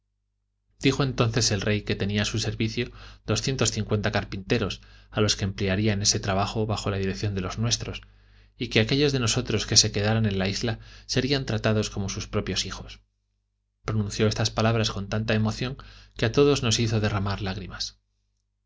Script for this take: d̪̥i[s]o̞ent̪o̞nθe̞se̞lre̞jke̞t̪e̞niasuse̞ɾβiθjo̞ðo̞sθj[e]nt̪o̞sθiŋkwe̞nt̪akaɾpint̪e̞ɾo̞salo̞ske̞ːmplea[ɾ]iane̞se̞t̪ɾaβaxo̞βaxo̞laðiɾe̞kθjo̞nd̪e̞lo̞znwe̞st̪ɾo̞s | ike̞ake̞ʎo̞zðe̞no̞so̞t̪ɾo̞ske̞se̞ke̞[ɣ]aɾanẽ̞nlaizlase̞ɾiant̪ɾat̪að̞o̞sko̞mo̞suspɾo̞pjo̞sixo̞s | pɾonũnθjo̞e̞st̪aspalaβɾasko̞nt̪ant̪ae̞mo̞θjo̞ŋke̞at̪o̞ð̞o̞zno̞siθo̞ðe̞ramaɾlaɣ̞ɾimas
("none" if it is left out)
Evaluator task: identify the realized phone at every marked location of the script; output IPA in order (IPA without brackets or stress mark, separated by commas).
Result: x, e, ɾ, ð